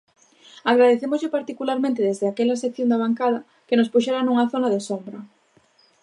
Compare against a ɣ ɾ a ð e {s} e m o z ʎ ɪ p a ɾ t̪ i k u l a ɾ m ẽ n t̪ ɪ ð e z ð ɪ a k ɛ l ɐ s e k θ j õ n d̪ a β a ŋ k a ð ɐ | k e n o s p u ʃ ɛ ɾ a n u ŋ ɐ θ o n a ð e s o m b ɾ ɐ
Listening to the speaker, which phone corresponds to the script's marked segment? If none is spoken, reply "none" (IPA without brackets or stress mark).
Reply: θ